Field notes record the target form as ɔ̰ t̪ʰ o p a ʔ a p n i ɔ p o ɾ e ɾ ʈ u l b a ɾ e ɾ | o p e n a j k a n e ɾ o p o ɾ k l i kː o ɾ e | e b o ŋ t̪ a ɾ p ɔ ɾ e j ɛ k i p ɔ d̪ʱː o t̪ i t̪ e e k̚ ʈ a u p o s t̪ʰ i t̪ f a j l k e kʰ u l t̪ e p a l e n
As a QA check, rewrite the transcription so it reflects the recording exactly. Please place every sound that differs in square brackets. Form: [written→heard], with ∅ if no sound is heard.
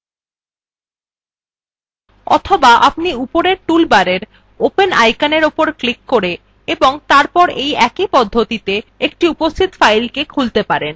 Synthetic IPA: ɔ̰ t̪ʰ o [p→b] a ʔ a p n i [ɔ→u] p o ɾ e ɾ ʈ u l b a ɾ e ɾ | o p e n a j k a n e ɾ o p o ɾ k l i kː o ɾ e | e b o ŋ t̪ a ɾ p ɔ ɾ e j ɛ k i p ɔ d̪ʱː o t̪ i t̪ e e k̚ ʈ [a→i] u p o s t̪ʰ i t̪ f a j l k e kʰ u l t̪ e p a [l→ɾ] e n

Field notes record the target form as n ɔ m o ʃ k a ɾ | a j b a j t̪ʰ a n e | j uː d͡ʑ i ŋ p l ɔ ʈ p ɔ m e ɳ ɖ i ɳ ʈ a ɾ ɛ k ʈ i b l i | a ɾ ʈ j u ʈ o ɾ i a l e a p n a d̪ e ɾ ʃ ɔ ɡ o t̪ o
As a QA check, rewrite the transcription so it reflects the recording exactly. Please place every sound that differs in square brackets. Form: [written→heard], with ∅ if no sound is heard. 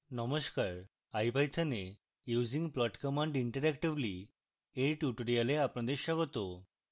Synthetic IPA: n ɔ m o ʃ k a ɾ | a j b a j t̪ʰ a n e | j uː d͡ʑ i ŋ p l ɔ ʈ [p→k] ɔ m [e→a] ɳ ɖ i ɳ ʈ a ɾ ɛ k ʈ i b l i | [a→e] ɾ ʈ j u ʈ o ɾ i a l e a p n a d̪ e ɾ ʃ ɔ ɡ o t̪ o

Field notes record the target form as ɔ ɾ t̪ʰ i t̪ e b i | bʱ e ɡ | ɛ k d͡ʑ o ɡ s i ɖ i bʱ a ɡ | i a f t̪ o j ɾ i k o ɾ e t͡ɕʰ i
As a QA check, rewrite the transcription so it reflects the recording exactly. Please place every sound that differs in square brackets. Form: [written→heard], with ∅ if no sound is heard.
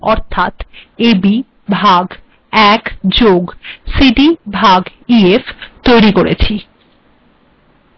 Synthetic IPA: ɔ ɾ t̪ʰ [i→a] t̪ e b i | bʱ [e→a] ɡ | ɛ k d͡ʑ o ɡ s i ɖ i bʱ a ɡ | i [a→e] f t̪ o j ɾ i k o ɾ e t͡ɕʰ i

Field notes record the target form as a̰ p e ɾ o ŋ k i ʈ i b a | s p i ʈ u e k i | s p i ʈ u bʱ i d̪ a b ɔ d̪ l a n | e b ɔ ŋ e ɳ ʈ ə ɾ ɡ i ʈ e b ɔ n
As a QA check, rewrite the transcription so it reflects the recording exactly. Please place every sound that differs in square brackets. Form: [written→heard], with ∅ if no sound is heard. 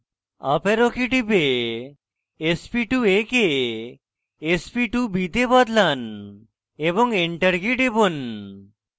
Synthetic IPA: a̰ p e ɾ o [ŋ→∅] k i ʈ i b [a→e] | s p i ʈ u e k [i→e] | s p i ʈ u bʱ i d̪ [a→e] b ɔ d̪ l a n | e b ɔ ŋ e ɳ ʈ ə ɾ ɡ i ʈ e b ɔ n

